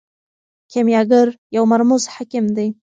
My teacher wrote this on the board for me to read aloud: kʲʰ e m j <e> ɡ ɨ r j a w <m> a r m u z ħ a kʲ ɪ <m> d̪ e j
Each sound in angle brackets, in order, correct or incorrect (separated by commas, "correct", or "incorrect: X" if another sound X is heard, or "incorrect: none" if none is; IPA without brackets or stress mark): incorrect: a, correct, correct